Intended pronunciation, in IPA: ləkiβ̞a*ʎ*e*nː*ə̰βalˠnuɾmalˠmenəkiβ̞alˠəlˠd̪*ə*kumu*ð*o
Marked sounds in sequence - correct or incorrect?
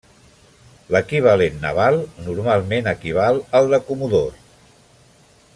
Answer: incorrect: l, correct, correct, correct

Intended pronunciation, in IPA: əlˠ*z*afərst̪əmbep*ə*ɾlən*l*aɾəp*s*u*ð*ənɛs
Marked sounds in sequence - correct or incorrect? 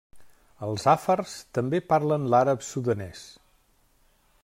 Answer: correct, incorrect: a, correct, correct, correct

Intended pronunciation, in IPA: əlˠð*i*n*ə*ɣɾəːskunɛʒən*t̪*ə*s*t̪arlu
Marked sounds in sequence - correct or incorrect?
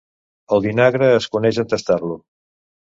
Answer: correct, incorrect: a, correct, correct

